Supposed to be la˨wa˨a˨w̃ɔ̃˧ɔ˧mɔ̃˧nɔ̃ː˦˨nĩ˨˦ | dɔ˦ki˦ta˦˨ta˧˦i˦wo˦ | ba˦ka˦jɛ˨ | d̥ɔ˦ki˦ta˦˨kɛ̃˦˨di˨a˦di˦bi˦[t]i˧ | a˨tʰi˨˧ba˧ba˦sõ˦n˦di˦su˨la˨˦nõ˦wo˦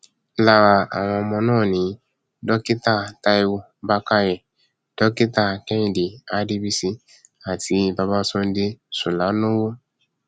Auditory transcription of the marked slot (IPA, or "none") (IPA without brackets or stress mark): s